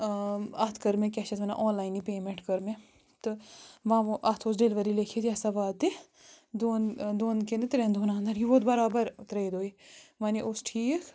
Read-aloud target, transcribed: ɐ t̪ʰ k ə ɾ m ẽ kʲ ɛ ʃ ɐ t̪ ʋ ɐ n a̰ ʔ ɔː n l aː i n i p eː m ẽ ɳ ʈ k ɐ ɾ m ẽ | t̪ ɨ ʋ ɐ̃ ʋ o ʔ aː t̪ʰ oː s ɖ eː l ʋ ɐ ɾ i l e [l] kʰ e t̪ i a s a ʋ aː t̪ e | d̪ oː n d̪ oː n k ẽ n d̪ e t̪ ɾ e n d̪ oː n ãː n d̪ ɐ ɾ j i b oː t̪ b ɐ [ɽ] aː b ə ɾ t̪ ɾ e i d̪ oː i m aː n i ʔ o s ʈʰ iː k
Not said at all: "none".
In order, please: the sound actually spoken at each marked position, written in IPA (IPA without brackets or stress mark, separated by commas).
none, ɾ